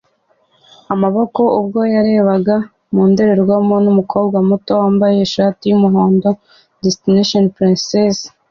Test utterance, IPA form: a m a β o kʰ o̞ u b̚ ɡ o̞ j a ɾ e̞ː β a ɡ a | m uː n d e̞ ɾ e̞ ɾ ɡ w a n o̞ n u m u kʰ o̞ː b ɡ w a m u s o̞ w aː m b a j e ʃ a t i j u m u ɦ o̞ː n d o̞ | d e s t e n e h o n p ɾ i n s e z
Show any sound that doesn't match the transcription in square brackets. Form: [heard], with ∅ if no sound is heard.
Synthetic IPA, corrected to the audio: a m a β o [k] o̞ u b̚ ɡ o̞ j a ɾ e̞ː β a ɡ a | m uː n d e̞ ɾ e̞ ɾ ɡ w a [m] o̞ n u m u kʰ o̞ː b ɡ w a m u [t] o̞ w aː m b a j e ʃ a t i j u m u ɦ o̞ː n d o̞ | d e s t [i] n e [ʃ] o n p ɾ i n s e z